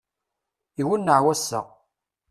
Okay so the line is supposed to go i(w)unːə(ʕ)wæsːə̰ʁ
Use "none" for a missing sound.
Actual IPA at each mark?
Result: w, ʕ

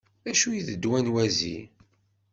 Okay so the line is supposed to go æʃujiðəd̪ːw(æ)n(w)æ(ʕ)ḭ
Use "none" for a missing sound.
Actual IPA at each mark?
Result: æ, w, z

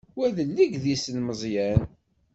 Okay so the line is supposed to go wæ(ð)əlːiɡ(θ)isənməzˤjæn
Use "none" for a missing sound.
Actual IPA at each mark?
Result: ð, ð

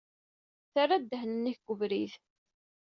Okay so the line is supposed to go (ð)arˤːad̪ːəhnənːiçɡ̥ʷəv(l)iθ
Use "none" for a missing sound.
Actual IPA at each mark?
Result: θ, ɾ

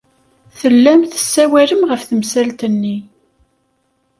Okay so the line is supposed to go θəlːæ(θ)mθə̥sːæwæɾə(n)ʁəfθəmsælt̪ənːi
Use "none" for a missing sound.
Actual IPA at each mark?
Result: none, m

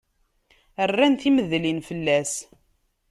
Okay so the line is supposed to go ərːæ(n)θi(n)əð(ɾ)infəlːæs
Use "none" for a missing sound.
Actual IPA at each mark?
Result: n, m, l

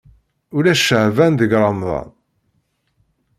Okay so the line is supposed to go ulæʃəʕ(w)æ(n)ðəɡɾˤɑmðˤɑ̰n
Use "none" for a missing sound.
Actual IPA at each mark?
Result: v, n

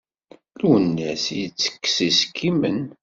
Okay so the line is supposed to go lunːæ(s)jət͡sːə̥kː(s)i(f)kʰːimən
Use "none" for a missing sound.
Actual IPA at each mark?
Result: s, s, s

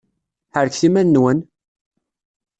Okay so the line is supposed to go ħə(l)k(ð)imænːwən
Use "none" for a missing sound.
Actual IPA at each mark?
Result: ɾ, θ

